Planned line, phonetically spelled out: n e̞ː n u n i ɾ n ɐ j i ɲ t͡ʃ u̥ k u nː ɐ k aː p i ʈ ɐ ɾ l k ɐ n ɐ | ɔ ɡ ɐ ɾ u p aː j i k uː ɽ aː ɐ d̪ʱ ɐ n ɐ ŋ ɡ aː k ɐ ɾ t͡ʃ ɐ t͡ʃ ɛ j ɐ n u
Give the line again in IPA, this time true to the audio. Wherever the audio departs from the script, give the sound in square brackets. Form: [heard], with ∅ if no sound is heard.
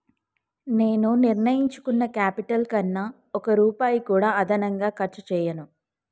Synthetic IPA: n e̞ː n u n i ɾ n ɐ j i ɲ t͡ʃ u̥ k u nː ɐ k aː p i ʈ ɐ [∅] l k ɐ [nː] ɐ | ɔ [k] ɐ ɾ [uː] p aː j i k uː ɽ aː ɐ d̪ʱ ɐ n ɐ ŋ ɡ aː k ɐ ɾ t͡ʃ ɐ t͡ʃ [ɛː] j ɐ n u